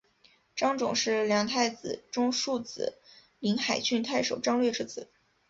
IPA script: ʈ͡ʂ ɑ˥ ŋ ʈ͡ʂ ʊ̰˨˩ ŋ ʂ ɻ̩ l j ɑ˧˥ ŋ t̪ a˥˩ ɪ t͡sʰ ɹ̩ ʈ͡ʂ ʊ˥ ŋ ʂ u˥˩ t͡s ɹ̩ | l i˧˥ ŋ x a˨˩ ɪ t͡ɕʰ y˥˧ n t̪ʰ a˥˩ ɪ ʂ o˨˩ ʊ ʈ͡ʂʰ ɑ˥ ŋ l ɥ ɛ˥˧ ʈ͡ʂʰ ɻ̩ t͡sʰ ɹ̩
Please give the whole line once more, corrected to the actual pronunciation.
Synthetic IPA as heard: ʈ͡ʂ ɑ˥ ŋ ʈ͡ʂ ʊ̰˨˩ ŋ ʂ ɻ̩ l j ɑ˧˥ ŋ t̪ʰ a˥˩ ɪ t͡s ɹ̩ ʈ͡ʂ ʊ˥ ŋ ʂ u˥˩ t͡s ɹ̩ | l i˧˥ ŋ x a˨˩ ɪ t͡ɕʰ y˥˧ n t̪ʰ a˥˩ ɪ ʂ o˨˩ ʊ ʈ͡ʂ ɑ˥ ŋ l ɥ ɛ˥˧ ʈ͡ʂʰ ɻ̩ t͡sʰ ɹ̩